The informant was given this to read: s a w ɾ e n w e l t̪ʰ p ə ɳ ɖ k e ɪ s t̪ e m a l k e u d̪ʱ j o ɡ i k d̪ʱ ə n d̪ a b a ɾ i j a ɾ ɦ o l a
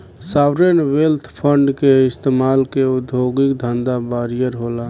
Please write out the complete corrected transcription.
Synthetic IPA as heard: s a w ɾ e n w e l t̪ʰ pʰ ə ɳ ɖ k e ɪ s t̪ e m a l k e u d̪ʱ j o ɡ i k d̪ʱ ə n d̪ a b a ɾ i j ə ɾ ɦ o l a

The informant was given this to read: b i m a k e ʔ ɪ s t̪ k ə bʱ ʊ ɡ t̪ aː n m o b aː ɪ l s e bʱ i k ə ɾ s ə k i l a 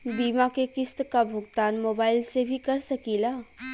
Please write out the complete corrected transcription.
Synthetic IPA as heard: b i m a k e k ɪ s t̪ k a bʱ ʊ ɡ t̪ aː n m o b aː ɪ l s e bʱ i k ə ɾ s ə k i l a

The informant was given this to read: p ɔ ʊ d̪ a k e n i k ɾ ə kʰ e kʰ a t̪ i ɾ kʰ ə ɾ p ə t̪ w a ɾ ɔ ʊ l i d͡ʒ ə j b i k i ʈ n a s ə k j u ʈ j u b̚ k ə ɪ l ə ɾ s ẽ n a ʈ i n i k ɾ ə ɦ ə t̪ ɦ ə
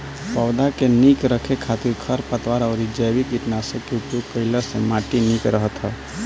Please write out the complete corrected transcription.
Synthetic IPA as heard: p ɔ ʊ d̪ a k e n i k ɾ ə kʰ e kʰ a t̪ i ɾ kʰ ə ɾ p ə t̪ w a ɾ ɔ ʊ ɾ i d͡ʒ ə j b i k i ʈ n a s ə k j u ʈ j u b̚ k ə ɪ l ə ɾ s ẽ m a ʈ i n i k ɾ ə ɦ ə t̪ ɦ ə

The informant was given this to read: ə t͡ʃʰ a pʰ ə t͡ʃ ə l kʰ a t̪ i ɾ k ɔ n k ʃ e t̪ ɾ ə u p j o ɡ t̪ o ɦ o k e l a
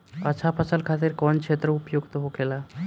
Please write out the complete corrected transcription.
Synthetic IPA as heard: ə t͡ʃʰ a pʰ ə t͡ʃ ə l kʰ a t̪ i ɾ k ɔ n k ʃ e t̪ ɾ ə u p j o ɡ t̪ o ɦ o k e l a

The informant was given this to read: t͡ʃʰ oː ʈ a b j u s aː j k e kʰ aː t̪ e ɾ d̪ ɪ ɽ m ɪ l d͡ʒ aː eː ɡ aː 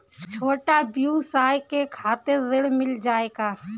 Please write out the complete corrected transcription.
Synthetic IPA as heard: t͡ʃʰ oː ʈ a b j u s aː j k e kʰ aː t̪ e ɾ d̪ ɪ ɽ m ɪ l d͡ʒ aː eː ɡ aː

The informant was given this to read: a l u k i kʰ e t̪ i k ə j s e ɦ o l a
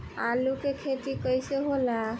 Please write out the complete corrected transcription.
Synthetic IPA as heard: a l u k e kʰ e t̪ i k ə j s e ɦ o l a

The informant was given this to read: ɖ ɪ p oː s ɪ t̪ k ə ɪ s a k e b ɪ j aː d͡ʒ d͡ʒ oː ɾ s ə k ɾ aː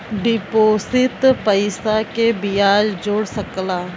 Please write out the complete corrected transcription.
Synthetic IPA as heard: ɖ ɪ p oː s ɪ t̪ p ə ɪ s a k e b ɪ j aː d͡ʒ d͡ʒ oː ɽ s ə k l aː

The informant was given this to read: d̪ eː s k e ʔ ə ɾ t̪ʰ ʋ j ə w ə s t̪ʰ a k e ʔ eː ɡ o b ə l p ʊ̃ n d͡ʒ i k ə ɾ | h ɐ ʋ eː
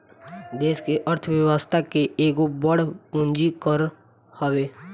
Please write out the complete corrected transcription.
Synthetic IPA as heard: d̪ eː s k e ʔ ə ɾ t̪ʰ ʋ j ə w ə s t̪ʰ a k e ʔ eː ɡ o b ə ɽ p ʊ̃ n d͡ʒ i k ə ɾ | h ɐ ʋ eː

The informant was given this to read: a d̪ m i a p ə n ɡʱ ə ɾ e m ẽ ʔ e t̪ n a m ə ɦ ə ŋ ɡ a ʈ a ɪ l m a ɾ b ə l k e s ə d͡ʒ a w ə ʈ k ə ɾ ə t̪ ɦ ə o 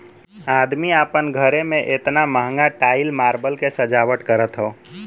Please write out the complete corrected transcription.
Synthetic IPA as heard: a d̪ m i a p ə n ɡʱ ə ɾ e m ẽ ʔ e t̪ n a m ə ɦ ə ŋ ɡ a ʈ a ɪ l m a ɾ b ə l k e s ə d͡ʒ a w ə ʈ k ə ɾ ə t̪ ɦ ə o

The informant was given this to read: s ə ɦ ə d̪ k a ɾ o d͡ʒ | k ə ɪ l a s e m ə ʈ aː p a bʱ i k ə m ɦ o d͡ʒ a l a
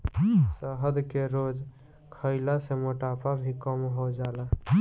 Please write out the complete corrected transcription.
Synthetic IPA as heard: s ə ɦ ə d̪ k e ɾ o d͡ʒ | kʰ ə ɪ l a s e m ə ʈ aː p a bʱ i k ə m ɦ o d͡ʒ a l a

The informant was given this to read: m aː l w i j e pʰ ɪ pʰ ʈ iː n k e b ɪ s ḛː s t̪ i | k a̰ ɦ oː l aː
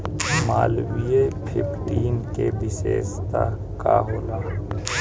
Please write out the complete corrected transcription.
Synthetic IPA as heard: m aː l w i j e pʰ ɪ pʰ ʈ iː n k e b ɪ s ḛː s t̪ a | k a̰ ɦ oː l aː

